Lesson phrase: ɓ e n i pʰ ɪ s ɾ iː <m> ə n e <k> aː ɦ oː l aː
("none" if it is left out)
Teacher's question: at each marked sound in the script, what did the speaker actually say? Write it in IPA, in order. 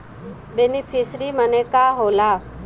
m, k

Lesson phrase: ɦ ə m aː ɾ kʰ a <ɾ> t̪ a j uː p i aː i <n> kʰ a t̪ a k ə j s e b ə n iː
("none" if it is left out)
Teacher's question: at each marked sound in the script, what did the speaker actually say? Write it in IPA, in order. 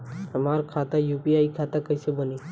none, none

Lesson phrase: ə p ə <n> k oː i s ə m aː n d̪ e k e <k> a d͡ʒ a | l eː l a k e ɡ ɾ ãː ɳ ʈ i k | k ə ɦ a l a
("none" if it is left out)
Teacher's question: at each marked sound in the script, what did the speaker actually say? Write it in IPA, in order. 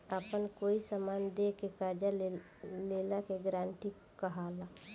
n, k

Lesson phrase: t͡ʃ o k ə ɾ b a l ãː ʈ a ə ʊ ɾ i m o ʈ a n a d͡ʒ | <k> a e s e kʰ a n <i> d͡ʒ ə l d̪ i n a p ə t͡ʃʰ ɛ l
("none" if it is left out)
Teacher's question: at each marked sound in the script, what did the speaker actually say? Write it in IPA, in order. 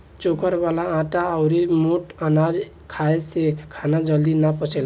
kʰ, a

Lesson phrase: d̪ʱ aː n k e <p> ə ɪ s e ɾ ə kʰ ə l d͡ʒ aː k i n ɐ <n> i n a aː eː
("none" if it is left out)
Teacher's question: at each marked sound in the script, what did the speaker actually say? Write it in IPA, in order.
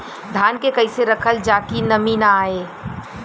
k, m

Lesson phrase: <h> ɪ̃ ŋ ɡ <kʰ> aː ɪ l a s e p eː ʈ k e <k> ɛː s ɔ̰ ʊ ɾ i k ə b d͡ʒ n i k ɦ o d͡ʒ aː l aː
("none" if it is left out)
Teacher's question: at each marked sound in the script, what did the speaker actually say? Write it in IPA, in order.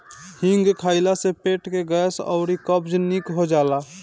h, kʰ, ɡ

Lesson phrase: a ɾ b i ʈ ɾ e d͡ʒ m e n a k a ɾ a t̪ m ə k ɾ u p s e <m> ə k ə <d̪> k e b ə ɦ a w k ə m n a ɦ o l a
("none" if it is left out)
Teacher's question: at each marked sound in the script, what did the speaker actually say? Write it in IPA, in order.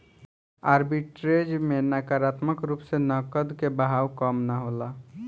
n, d̪

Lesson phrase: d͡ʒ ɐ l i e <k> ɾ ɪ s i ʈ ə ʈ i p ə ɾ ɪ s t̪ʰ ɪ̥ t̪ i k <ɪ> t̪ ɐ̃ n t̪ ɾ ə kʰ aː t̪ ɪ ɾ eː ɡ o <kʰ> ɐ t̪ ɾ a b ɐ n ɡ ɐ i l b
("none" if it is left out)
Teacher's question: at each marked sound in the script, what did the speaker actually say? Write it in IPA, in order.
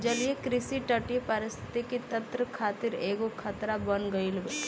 k, i, kʰ

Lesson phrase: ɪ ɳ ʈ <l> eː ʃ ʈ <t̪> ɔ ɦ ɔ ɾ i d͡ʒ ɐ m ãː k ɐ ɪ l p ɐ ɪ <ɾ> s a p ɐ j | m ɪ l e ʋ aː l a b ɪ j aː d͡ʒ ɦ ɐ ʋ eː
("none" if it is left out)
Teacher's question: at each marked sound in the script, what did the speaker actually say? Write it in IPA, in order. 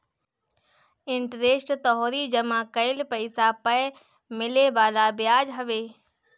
ɾ, t̪, none

